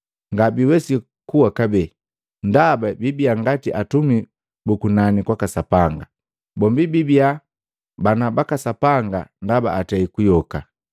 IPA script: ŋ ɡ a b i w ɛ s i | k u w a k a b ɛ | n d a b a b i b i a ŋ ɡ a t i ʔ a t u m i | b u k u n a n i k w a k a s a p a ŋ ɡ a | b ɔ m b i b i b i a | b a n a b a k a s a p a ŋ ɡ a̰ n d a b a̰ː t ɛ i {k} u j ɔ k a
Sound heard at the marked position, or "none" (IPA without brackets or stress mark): k